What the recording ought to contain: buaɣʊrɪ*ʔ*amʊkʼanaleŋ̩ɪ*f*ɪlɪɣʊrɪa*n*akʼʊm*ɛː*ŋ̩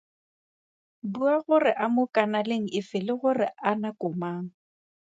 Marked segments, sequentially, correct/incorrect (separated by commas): correct, correct, correct, incorrect